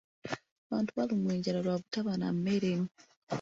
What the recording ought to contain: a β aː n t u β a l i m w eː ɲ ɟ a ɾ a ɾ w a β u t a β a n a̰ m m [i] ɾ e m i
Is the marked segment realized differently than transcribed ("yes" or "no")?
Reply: yes